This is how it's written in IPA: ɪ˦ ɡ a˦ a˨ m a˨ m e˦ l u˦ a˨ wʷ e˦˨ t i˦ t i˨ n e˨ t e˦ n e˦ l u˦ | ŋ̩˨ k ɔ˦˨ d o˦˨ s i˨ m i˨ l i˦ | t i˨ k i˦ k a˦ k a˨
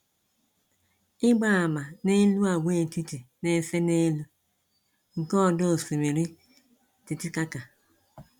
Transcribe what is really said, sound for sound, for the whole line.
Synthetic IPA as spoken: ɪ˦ ɡ͡b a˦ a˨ m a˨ n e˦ l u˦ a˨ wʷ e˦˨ t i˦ t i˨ n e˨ s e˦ n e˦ l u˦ | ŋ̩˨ k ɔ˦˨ d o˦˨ s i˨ m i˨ ɾ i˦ | t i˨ t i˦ k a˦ k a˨